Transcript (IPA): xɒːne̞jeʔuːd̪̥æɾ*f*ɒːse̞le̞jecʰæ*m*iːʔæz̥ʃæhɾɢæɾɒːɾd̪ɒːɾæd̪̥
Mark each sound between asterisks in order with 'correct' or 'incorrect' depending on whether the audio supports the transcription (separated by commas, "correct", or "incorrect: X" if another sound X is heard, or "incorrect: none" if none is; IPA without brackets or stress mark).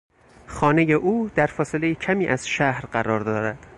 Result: correct, correct